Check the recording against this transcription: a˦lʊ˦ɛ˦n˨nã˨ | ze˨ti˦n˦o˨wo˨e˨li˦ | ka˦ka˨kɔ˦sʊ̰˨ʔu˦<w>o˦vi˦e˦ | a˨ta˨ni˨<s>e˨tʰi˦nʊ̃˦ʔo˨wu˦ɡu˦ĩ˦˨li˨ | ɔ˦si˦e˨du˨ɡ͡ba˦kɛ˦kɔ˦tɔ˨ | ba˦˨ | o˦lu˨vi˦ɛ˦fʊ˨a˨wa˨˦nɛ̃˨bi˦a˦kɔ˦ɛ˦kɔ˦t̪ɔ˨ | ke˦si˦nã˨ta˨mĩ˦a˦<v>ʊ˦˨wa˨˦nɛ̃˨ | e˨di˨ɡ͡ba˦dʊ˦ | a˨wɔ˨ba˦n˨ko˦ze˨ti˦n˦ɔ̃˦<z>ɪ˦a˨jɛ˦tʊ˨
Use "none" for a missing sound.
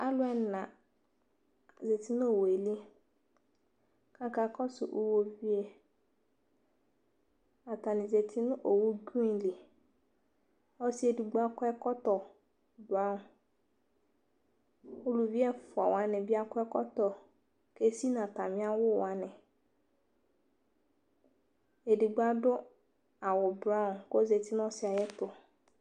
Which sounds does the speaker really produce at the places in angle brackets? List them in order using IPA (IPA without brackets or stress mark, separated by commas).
w, z, w, s